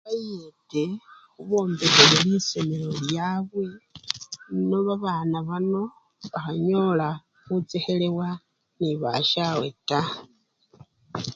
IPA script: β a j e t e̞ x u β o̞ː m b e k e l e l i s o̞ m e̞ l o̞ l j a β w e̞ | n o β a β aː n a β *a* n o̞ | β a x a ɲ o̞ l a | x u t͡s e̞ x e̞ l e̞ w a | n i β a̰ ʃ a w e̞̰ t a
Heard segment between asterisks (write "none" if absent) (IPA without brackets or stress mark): a